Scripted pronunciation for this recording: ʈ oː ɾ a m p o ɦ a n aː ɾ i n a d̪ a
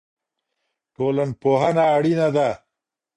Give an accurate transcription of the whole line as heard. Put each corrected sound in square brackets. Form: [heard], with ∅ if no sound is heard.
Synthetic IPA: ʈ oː [l] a [n] p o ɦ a n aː [ɽ] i n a d̪ a

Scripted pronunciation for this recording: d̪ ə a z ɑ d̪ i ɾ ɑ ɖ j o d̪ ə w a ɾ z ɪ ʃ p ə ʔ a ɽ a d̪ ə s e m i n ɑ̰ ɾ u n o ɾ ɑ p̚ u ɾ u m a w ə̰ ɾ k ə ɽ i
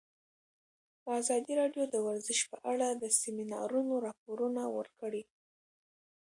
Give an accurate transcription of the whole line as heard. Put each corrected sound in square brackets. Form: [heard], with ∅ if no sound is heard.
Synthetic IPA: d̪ ə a z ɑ d̪ i ɾ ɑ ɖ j o d̪ ə w a ɾ z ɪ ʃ p ə ʔ a ɽ a d̪ ə s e m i n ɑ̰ ɾ u n o ɾ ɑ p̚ [o] ɾ u [n] a w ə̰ ɾ k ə ɽ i

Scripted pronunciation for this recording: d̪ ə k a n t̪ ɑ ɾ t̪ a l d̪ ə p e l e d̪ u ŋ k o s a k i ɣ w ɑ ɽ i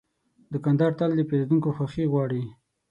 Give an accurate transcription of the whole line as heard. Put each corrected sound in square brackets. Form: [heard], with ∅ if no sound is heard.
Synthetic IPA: d̪ ə k a n [d̪] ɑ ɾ t̪ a l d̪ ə p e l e d̪ u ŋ k o [x] a [x] i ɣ w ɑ ɽ i

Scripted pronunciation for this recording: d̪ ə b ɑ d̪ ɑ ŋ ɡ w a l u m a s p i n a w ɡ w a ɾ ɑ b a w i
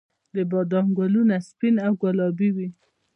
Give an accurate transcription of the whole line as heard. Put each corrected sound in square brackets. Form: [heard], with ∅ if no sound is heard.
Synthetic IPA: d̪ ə b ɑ d̪ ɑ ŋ ɡ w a l u [n] a s p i n a w ɡ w a [l] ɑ b [i] w i

